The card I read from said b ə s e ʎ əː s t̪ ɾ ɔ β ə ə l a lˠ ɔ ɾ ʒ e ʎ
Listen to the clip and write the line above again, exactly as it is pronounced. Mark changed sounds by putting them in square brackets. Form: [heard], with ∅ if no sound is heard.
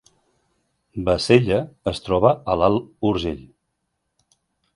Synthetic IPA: b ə s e ʎ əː s t̪ ɾ ɔ β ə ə l a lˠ [u] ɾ ʒ e ʎ